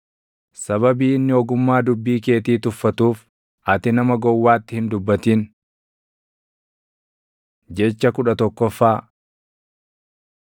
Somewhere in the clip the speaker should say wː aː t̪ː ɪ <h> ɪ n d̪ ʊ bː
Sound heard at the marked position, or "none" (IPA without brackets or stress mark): h